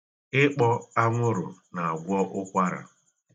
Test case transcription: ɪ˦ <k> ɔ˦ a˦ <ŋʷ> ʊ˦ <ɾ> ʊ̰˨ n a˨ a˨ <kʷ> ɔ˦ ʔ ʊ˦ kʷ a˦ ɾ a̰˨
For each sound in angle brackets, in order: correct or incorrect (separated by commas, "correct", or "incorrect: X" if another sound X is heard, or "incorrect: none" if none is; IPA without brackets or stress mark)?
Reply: incorrect: k͡p, correct, correct, incorrect: ɡʷ